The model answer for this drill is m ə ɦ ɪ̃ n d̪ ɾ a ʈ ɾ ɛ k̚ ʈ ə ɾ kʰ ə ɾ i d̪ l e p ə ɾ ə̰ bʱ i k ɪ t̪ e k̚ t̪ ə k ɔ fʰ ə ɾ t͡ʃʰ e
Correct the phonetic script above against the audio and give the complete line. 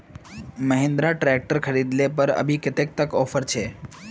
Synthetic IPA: m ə ɦ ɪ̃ n d̪ ɾ a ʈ ɾ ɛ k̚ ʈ ə ɾ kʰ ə ɾ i d̪ l e p ə ɾ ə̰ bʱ i k ɪ t̪ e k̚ t̪ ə k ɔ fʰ ə ɾ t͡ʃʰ e